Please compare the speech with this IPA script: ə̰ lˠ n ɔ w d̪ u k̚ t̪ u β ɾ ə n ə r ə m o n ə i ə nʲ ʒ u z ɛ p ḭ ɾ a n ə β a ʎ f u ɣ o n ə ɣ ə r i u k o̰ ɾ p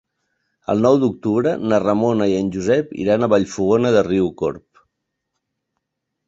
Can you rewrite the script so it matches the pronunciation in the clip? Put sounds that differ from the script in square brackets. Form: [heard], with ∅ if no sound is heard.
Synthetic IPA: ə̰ lˠ n ɔ w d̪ u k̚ t̪ u β ɾ ə n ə r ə m o n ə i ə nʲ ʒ u z ɛ p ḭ ɾ a n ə β a ʎ f u ɣ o n ə [ð] ə r i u k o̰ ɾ p